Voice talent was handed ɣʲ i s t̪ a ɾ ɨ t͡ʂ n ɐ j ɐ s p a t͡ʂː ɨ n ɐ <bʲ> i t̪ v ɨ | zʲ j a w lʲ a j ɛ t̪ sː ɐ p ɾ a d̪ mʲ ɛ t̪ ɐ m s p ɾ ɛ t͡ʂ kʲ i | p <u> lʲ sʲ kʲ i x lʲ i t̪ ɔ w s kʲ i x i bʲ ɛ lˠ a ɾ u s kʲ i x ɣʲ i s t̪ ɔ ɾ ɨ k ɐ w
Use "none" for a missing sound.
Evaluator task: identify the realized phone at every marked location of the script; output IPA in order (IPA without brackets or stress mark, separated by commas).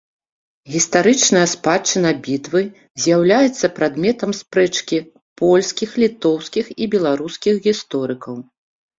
bʲ, ɔ